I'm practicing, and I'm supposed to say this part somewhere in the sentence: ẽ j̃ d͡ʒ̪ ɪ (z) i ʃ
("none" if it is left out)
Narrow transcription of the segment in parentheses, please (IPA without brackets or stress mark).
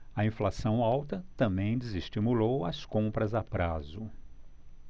z